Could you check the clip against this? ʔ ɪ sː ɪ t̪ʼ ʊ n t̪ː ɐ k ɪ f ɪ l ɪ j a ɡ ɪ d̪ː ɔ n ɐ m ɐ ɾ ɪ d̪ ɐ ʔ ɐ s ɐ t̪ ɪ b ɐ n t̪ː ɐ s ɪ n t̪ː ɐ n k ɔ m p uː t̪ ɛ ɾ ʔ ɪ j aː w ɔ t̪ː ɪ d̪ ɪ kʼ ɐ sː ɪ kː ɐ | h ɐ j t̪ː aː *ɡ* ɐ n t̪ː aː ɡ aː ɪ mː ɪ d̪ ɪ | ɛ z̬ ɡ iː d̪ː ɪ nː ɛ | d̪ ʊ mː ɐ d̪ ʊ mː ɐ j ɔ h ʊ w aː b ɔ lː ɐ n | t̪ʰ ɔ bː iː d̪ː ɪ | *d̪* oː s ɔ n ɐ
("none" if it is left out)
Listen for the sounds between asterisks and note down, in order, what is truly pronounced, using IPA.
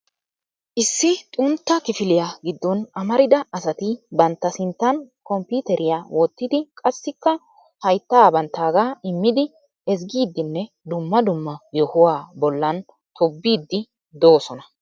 b, d̪

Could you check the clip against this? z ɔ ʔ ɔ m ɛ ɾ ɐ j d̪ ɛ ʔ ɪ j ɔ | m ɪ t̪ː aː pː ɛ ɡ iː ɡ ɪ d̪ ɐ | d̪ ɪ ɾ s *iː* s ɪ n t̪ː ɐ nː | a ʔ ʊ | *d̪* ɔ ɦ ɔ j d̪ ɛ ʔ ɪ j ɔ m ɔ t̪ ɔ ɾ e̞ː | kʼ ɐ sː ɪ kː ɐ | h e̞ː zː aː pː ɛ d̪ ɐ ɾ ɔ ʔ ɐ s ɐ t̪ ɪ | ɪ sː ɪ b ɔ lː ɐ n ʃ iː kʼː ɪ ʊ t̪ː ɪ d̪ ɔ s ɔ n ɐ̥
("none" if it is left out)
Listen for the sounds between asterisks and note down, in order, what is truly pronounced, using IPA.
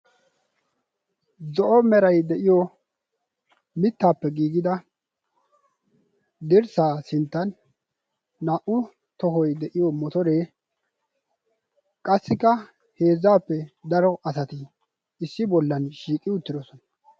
aː, t̪

